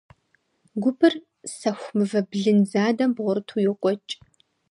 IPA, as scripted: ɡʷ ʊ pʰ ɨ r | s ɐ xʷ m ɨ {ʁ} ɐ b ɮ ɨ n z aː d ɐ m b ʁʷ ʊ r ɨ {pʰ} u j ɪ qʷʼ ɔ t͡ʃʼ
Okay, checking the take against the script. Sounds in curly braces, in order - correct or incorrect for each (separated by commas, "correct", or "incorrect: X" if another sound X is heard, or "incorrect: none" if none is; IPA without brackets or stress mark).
incorrect: v, incorrect: tʰ